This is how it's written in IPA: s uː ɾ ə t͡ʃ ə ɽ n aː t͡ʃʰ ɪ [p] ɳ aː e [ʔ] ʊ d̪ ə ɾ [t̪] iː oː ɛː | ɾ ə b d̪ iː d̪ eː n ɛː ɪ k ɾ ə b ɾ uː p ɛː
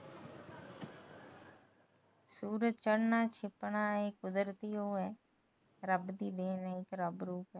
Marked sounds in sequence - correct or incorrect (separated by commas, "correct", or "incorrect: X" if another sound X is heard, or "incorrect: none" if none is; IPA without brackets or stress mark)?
correct, incorrect: k, correct